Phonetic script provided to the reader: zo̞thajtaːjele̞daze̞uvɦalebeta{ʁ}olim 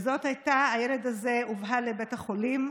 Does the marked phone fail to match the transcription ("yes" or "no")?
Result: yes